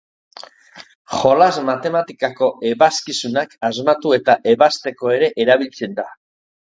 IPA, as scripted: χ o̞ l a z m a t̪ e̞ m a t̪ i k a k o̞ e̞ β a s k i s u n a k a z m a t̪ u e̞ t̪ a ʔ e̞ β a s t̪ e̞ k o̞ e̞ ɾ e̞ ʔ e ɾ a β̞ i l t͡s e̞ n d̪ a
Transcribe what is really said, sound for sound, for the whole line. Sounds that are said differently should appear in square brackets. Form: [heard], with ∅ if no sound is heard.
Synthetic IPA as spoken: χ o̞ l a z m a t̪ e̞ m a t̪ i k a k o̞ e̞ β a s k i s u n a k a z m a t̪ u e̞ t̪ a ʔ e̞ β a s t̪ e̞ k o̞ e̞ ɾ e̞ ʔ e ɾ a β̞ i l t͡s e̞ n d̪ a